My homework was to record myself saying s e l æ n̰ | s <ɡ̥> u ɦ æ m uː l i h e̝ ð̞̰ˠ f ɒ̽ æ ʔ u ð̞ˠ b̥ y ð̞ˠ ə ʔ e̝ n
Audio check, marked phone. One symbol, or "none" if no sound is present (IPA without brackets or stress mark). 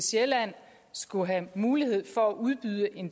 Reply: ɡ̥